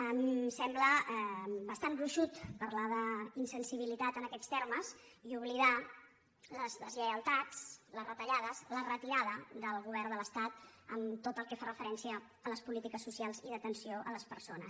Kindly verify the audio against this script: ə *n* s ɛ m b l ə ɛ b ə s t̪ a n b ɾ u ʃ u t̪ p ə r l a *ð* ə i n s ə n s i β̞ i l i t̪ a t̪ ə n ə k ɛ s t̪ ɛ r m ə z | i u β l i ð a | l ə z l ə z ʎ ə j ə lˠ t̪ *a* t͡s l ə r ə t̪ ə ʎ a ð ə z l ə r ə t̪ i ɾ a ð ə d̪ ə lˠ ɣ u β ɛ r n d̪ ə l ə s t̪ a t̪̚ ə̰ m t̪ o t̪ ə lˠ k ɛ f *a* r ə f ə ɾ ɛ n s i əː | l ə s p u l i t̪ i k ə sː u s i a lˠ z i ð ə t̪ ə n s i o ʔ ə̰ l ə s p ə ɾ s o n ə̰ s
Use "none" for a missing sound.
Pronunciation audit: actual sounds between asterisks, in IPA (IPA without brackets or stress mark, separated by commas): m, ð, a, a